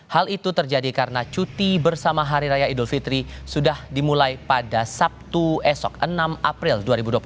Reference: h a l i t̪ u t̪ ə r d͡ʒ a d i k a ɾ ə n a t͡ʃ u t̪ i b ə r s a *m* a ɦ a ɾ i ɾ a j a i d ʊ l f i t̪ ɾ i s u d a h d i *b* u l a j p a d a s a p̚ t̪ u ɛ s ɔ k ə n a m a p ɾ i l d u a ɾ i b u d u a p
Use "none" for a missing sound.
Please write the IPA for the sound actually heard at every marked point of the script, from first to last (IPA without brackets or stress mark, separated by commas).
m, m